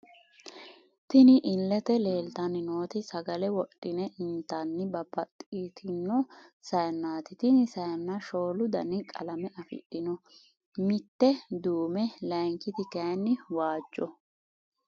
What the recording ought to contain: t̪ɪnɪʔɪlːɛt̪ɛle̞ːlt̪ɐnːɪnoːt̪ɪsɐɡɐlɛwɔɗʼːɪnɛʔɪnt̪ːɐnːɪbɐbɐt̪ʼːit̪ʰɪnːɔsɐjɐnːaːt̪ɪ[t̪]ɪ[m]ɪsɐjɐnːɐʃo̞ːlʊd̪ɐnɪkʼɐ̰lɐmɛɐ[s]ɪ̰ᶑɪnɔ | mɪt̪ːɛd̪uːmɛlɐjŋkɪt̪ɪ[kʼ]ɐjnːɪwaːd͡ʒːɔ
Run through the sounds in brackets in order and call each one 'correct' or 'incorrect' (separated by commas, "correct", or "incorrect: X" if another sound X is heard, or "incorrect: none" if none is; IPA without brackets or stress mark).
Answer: correct, incorrect: n, incorrect: f, incorrect: k